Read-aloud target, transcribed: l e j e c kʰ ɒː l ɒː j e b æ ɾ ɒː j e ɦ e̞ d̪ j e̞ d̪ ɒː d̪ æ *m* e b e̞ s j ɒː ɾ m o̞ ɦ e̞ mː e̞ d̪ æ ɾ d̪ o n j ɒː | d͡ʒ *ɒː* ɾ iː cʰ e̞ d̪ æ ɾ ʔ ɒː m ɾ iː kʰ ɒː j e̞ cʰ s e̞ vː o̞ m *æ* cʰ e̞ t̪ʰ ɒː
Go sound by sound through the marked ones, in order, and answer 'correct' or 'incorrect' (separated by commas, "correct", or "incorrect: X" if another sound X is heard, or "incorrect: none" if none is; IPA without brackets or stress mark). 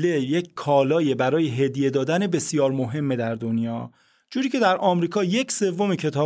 incorrect: n, incorrect: uː, incorrect: e